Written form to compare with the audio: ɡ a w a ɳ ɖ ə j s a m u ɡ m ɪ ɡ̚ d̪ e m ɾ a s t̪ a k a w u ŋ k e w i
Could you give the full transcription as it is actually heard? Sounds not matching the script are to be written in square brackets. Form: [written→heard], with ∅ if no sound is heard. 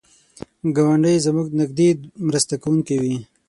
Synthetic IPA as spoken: ɡ a w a ɳ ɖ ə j [s→z] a m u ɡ [m→n] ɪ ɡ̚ d̪ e m ɾ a s t̪ a k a w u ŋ k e w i